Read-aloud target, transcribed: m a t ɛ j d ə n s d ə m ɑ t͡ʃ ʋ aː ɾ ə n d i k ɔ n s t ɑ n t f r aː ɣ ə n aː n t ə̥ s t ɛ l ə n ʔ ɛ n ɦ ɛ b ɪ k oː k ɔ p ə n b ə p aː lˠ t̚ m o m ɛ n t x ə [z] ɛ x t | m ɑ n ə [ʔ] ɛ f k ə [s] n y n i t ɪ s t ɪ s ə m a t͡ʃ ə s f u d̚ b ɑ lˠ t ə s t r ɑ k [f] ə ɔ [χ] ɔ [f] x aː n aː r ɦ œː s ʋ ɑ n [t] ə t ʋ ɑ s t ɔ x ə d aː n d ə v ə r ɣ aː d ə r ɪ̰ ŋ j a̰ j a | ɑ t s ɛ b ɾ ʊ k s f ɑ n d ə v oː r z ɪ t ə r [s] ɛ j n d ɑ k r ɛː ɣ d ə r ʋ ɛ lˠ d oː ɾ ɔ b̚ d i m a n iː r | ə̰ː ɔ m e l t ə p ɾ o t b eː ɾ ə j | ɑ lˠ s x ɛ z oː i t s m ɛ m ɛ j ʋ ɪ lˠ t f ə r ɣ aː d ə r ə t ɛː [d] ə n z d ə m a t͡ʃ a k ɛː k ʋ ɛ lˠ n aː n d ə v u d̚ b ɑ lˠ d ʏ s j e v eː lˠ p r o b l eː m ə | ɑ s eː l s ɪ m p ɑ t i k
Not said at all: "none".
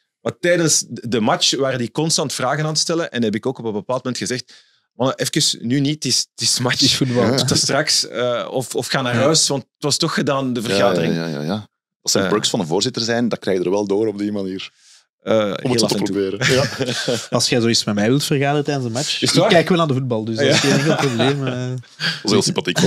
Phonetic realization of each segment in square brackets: z, ʔ, s, s, f, f, t, z, d

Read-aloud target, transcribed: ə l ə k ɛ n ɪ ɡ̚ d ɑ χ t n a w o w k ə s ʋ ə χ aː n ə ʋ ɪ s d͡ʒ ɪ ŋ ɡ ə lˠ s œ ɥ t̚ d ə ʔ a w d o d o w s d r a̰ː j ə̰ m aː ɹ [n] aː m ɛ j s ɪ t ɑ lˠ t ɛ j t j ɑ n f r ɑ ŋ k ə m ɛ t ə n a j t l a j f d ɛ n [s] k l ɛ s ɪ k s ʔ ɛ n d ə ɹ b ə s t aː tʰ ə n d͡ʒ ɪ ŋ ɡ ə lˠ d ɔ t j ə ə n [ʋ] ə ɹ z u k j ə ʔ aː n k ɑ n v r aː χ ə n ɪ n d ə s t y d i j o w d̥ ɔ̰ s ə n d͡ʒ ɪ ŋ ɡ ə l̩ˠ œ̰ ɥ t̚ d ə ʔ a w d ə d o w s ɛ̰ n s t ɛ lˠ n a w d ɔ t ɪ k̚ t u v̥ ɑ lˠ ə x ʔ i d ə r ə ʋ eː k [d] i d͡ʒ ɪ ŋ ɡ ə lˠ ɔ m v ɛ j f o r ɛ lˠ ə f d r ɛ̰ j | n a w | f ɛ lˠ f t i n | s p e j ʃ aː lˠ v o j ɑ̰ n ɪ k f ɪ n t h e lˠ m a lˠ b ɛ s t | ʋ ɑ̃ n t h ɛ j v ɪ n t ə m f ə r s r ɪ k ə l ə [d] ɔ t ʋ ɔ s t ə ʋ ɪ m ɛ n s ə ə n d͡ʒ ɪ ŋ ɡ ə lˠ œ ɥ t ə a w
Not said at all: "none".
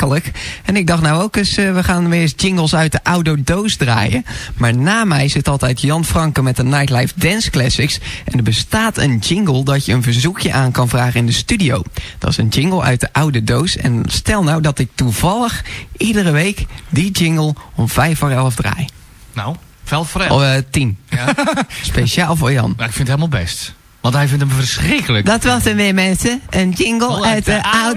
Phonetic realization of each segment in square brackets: n, s, v, d, d

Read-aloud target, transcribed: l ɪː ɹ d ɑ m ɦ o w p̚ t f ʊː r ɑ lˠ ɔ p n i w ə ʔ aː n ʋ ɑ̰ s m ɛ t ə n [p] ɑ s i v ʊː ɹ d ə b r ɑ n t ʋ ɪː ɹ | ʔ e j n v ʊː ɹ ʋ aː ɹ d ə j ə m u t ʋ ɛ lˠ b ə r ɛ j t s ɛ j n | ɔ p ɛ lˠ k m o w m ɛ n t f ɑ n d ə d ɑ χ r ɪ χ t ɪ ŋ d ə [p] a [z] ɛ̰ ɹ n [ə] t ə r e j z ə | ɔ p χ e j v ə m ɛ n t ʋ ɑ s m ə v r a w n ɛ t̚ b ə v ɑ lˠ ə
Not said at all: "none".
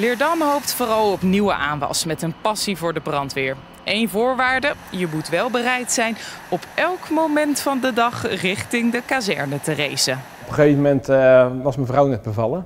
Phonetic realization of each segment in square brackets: p, k, z, ə

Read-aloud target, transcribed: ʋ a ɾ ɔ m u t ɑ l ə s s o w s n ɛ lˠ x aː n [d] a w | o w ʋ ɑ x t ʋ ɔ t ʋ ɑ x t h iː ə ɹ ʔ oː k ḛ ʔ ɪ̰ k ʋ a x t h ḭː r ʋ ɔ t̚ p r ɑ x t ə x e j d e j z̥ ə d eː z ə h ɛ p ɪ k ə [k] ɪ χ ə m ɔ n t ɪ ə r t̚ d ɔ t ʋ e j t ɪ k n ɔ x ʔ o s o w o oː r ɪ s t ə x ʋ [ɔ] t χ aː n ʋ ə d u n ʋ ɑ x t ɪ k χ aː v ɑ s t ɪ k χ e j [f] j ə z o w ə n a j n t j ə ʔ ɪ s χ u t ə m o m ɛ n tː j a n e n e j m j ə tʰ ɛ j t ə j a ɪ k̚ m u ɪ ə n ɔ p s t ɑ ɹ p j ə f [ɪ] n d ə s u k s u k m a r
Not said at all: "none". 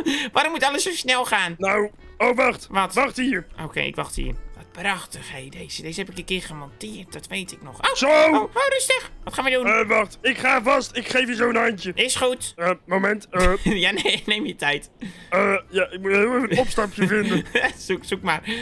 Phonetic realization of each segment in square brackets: n, k, ɔ, f, ɪ

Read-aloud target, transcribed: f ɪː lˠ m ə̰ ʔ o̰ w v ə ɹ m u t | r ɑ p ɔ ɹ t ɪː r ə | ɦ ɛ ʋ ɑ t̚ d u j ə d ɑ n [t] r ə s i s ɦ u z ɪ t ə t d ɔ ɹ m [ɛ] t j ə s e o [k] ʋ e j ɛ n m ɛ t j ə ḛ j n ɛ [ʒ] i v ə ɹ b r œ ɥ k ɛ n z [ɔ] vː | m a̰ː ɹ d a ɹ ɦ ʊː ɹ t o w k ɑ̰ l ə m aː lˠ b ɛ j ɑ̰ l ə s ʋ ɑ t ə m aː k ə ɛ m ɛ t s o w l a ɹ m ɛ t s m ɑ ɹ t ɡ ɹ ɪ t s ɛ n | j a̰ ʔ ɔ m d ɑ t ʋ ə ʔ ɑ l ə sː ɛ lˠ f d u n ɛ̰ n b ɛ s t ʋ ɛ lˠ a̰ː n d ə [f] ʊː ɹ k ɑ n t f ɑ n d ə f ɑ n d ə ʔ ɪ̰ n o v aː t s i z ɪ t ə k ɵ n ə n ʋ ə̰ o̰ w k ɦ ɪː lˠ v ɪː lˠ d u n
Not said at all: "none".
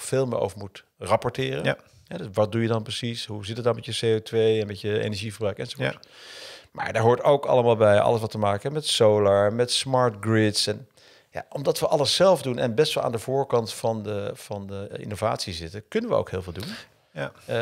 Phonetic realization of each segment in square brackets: p, ɛ, t, ʒ, o, v

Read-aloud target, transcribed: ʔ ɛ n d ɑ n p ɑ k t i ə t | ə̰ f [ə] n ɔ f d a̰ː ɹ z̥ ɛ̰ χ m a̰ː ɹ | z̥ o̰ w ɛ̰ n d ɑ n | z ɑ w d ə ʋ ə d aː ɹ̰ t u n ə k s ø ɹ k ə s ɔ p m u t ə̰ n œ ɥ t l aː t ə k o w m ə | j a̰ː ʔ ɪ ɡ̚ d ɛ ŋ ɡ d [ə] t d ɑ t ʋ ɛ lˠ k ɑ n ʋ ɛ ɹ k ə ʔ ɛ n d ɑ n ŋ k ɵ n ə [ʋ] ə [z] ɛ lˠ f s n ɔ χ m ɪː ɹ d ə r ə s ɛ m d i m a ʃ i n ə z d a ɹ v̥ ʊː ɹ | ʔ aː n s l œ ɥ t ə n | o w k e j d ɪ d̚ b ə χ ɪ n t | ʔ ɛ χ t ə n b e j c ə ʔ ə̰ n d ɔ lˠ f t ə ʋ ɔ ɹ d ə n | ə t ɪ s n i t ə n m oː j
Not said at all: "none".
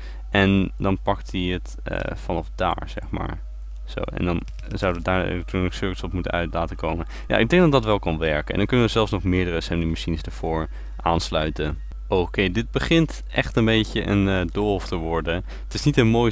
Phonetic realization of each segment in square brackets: ɑ, ɑ, ʋ, z

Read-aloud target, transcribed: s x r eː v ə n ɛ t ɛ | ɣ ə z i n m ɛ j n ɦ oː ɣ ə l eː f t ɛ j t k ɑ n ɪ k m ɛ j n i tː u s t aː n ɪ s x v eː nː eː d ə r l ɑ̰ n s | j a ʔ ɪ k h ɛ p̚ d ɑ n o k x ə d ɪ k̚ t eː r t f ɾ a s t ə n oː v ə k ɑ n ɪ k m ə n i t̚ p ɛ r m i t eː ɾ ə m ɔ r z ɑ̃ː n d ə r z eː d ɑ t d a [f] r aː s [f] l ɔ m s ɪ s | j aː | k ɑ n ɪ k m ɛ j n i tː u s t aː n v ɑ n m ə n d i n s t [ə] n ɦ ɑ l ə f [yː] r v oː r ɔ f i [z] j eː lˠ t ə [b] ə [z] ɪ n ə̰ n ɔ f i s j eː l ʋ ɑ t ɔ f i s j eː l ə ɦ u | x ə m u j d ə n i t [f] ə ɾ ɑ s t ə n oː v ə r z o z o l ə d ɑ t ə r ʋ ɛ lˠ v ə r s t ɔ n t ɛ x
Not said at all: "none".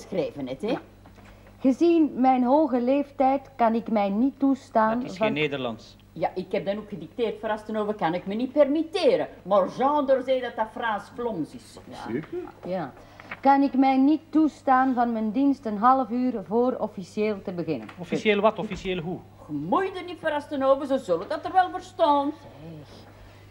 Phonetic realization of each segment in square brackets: f, f, ə, yː, s, b, ɣ, f

